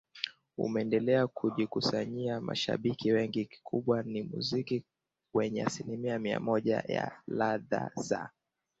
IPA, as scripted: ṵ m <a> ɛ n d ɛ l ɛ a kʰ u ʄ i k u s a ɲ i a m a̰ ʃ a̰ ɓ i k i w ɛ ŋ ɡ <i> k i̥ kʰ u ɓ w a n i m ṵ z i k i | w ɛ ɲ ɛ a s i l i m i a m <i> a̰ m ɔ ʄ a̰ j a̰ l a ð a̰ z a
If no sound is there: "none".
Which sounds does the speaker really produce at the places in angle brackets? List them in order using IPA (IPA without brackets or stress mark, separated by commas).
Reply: ɛ, i, i